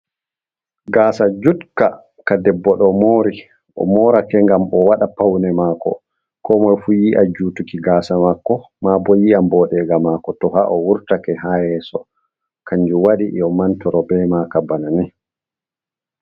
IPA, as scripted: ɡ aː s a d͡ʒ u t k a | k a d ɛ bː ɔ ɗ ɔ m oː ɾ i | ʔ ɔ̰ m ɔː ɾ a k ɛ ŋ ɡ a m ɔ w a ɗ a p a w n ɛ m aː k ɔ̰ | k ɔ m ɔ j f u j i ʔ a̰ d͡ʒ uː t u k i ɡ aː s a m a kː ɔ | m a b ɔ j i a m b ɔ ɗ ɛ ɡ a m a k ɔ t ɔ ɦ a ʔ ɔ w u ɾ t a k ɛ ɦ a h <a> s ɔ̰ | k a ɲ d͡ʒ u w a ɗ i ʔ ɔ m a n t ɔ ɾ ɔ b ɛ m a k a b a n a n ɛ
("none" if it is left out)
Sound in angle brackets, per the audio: ɛ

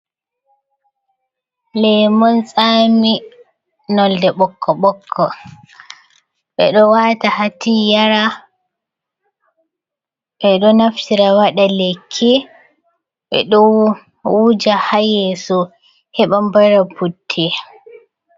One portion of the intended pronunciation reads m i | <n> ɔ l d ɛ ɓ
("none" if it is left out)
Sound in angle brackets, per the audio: n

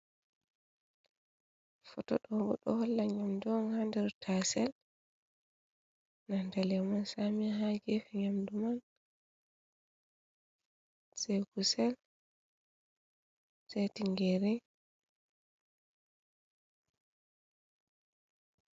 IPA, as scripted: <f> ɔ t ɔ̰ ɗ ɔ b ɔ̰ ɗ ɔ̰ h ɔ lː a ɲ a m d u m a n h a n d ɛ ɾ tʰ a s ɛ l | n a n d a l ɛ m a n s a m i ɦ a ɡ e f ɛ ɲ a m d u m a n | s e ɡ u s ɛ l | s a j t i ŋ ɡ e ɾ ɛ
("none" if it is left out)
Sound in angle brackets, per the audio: f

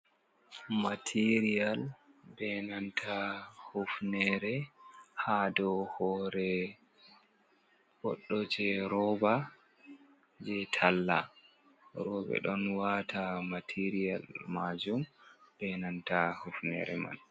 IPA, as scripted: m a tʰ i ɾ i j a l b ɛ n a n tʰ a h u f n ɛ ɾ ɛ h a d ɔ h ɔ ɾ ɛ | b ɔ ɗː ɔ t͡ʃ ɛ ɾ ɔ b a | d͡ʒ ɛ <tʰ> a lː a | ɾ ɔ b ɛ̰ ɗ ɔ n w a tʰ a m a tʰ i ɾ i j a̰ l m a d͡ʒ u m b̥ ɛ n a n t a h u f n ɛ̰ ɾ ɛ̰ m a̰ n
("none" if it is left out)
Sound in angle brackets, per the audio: tʰ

